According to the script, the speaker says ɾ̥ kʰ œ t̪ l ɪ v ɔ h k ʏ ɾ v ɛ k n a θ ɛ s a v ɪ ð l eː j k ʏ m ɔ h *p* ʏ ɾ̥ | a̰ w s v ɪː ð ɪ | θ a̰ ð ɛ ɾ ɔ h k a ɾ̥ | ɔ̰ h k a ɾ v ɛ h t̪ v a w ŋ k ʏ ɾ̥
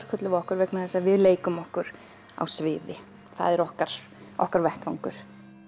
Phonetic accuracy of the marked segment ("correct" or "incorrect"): incorrect